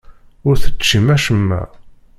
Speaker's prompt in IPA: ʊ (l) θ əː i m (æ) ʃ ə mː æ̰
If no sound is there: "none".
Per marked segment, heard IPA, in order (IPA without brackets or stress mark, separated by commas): ɾ, æ